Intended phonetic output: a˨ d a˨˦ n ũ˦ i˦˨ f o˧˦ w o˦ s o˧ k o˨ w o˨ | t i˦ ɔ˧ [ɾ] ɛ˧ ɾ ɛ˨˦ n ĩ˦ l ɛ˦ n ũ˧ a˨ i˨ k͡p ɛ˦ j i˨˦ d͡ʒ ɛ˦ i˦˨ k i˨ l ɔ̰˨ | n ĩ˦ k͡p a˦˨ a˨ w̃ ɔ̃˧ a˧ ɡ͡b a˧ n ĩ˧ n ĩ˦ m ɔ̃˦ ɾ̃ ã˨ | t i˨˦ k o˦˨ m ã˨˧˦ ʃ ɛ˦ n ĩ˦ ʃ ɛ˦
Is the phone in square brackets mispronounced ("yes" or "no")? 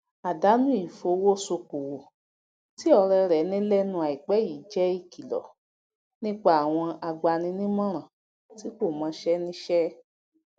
no